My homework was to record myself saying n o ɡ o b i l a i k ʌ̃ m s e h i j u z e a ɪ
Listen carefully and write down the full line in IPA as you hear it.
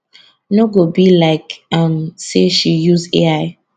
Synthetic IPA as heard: n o ɡ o b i l a ɪ k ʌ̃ m s e ʃ i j u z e a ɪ

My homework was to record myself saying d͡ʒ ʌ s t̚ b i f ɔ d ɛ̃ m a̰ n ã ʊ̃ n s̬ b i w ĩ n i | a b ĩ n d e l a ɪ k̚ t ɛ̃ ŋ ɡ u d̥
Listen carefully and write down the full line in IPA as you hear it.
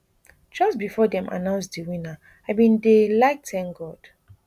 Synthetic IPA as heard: d͡ʒ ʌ s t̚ b i f ɔ d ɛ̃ m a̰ n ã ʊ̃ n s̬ d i w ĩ n a | a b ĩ n d e l a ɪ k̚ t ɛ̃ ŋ ɡ ɔ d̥

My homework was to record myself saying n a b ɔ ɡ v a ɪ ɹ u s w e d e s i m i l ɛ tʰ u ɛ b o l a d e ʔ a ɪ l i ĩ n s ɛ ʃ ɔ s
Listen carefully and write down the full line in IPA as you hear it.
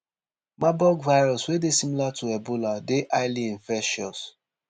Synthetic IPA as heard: m a b ɔ ɡ v a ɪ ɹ ɔ s w e d e s i m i l a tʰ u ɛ b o l a d e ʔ a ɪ l i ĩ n f ɛ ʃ ɔ s

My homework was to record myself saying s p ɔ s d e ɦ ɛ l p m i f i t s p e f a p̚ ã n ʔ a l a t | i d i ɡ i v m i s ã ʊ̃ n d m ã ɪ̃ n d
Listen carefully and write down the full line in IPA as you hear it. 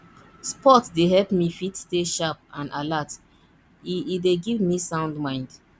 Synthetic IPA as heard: s p ɔ t d e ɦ ɛ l p m i f i t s t e ʃ a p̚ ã n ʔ a l a t | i d e ɡ i v m i s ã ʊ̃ n d m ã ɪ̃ n d

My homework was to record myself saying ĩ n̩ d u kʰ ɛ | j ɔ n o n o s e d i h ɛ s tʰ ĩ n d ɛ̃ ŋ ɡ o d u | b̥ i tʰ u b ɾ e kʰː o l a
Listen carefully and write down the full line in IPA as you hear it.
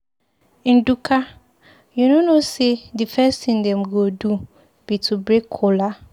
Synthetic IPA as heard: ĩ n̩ d u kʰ a | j u n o n o s e d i f ɛ s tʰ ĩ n d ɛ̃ m ɡ o d u | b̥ i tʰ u b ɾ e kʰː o l a

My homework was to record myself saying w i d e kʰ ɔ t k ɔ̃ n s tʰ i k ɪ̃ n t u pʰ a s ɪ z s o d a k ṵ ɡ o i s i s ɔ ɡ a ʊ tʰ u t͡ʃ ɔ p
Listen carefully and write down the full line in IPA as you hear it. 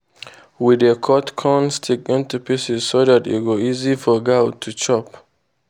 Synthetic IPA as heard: w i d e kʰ ɔ t kʰ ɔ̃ n s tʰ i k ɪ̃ n t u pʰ i s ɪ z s o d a t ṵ ɡ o i z i f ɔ ɡ a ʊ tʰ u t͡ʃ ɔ p

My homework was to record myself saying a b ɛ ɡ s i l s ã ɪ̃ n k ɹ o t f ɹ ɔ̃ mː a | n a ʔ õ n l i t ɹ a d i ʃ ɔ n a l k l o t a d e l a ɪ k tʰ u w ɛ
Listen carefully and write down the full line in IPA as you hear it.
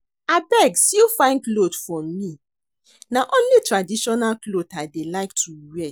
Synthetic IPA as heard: a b ɛ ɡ s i l f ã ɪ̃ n k l o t f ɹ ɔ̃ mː i | n a ʔ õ n l i t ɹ a d i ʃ ɔ n a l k l o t a d e l a ɪ k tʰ u w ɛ

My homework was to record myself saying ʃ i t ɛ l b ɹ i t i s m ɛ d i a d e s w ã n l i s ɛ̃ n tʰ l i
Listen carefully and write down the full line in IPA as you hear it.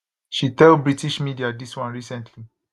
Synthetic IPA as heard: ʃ i t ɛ l b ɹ i t i ʃ m i d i a d i s w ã n ɹ i s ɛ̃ n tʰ l i

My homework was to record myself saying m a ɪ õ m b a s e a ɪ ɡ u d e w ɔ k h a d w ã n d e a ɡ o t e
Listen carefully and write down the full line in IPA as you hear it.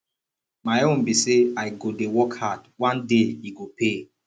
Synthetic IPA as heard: m a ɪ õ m b i s e a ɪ ɡ o d e w ɔ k h a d w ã n d e i ɡ o p e

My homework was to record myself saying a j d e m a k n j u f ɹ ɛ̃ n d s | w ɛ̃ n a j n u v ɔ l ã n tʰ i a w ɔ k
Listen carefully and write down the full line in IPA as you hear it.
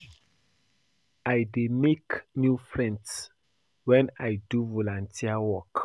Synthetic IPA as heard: a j d e m e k n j u f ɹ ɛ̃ n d s | w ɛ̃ n a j d u v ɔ l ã n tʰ i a w ɔ k

